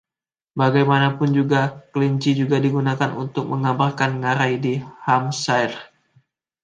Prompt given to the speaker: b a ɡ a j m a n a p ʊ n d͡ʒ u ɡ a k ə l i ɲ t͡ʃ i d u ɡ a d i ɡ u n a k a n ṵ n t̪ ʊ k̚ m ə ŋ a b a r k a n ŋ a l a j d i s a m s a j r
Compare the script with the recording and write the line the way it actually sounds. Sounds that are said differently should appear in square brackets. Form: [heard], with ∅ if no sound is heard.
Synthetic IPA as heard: b a ɡ a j m a n a p ʊ n d͡ʒ u ɡ a k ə l i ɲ t͡ʃ i [d͡ʒ] u ɡ a d i ɡ u n a k a n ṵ n t̪ ʊ k̚ m ə ŋ a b a r k a n ŋ a [ɾ] a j d i [h] a m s a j r